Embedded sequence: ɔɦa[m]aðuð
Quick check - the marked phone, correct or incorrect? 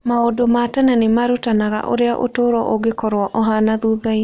incorrect